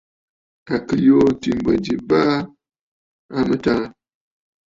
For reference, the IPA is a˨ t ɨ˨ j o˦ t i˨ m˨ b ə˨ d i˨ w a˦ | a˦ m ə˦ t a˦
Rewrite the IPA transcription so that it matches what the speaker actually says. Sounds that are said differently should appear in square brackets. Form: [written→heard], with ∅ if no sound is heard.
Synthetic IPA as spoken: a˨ [t→k] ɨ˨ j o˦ t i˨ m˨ b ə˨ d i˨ [w→b] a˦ | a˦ m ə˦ t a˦